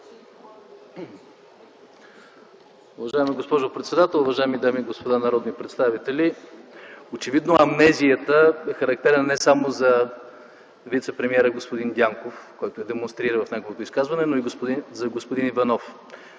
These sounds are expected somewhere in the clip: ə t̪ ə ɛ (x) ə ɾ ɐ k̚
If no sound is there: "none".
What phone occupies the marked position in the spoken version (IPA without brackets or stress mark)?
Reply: x